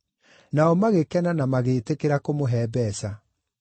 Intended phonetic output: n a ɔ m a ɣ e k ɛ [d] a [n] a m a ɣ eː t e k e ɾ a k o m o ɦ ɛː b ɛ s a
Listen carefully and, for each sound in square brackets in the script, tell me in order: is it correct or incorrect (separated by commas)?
incorrect, correct